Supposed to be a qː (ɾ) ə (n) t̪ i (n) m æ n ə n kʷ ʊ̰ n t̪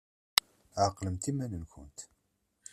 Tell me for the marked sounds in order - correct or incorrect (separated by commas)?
incorrect, incorrect, incorrect